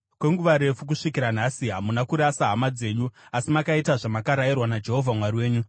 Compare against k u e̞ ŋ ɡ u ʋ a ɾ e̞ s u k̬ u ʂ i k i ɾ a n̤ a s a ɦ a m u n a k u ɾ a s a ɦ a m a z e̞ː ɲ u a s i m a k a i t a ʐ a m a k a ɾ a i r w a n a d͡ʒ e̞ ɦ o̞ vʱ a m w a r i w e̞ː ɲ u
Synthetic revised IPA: k w e̞ ŋ ɡ u ʋ a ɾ e̞ f u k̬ u ʂ i k i ɾ a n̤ a s i ɦ a m u n a k u ɾ a s a ɦ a m a d͡z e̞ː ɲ u a s i m a k a i t a ʐ a m a k a ɾ a i r w a n a d͡ʒ e̞ ɦ o̞ vʱ a m w a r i w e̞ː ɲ u